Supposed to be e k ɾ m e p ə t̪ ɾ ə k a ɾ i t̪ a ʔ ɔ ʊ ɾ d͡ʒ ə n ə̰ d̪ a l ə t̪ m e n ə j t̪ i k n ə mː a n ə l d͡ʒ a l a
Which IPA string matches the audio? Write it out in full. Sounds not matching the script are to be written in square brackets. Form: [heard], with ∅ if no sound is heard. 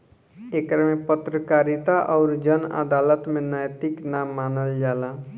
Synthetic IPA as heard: e k ɾ m e p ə t̪ ɾ ə k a ɾ i t̪ a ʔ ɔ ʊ ɾ d͡ʒ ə n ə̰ d̪ a l ə t̪ m e n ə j t̪ i k n [a] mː a n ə l d͡ʒ a l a